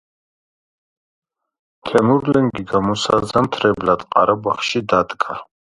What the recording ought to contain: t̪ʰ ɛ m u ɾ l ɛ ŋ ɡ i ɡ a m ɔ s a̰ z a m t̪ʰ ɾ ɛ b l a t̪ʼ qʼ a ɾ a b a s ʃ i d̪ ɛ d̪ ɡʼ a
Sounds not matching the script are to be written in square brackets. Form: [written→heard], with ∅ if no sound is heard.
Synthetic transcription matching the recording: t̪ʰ ɛ m u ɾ l ɛ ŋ ɡ i ɡ a m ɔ s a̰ z a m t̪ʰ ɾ ɛ b l a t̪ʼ qʼ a ɾ a b a [s→χ] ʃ i d̪ [ɛ→a] d̪ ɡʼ a